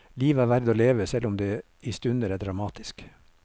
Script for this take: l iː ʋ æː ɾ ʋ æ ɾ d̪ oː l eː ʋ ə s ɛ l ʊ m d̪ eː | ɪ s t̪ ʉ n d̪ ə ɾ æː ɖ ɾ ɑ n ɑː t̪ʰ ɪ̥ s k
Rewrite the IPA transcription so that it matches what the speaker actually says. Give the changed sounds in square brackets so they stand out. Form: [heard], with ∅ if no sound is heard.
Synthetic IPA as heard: l iː ʋ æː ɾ ʋ æ ɾ d̪ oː l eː ʋ ə s ɛ l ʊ m d̪ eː | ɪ s t̪ ʉ n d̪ ə ɾ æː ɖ ɾ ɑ [m] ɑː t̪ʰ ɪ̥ s k